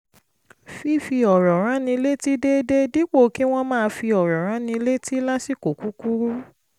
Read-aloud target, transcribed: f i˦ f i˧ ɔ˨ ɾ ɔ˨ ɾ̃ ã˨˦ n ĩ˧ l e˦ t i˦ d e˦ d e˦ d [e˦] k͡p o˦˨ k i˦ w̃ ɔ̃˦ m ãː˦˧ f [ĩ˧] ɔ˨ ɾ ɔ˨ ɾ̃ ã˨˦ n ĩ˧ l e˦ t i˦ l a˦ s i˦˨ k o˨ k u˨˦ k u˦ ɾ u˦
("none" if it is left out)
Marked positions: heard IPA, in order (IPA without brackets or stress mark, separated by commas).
i˦, i˧